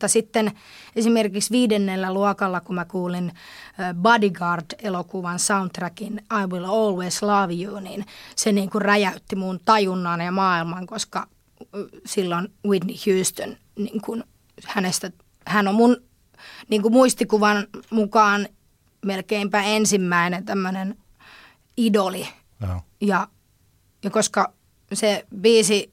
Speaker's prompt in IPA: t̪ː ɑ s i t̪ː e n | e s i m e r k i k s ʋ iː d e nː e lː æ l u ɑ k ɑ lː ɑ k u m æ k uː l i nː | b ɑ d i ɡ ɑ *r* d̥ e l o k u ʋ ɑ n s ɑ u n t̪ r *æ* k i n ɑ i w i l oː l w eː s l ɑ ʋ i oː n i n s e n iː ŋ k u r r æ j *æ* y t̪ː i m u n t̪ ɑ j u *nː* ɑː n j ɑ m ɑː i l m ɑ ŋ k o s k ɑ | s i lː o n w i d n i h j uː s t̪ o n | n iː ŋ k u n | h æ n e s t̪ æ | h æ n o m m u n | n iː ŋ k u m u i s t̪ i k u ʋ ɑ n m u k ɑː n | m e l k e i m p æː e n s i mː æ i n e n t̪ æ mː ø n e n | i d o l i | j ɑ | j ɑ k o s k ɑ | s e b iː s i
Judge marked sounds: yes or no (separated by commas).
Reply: yes, yes, yes, yes